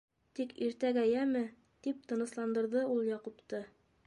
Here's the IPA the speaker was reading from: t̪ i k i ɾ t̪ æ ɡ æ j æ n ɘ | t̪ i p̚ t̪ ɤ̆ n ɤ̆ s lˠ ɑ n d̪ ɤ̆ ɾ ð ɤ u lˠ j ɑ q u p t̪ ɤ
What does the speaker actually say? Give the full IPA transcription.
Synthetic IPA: t̪ i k i ɾ t̪ æ ɡ æ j æ m ɘ | t̪ i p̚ t̪ ɤ̆ n ɤ̆ s lˠ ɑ n d̪ ɤ̆ ɾ ð ɤ u lˠ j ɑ q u p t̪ ɤ